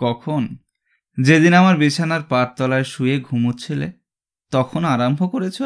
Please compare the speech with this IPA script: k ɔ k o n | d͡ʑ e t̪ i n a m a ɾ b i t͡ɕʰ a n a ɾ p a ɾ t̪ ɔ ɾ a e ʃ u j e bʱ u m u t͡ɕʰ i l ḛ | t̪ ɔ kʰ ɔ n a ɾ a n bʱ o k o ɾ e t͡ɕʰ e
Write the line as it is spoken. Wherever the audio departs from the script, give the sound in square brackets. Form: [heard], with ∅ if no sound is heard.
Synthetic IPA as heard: k ɔ [kʰ] o n | d͡ʑ e [d̪] i n a m a ɾ b i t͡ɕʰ a n a ɾ p a ɾ t̪ ɔ [l] a e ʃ u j e [ɡʱ] u m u t͡ɕʰ i l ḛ | t̪ ɔ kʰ [o] n a ɾ a [m] bʱ o k o ɾ e t͡ɕʰ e